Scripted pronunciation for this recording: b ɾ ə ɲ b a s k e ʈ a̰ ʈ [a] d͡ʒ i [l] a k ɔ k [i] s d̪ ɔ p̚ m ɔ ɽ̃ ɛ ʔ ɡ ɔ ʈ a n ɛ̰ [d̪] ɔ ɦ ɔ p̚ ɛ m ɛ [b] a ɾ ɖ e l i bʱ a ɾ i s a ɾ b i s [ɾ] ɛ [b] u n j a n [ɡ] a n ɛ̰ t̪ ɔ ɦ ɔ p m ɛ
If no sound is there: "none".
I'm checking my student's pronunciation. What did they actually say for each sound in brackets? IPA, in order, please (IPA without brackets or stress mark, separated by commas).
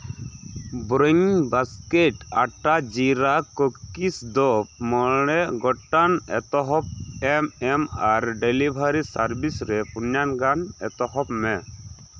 a, ɾ, i, t̪, m, ɾ, p, ɡ